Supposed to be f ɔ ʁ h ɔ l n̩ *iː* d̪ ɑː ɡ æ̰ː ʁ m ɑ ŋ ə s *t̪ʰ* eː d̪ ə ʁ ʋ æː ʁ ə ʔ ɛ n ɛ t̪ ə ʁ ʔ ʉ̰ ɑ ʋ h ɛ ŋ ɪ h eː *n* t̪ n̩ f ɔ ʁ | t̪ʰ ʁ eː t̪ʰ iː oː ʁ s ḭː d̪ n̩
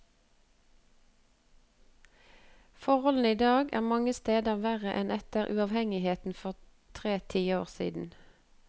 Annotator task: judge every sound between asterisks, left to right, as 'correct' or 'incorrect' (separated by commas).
correct, incorrect, incorrect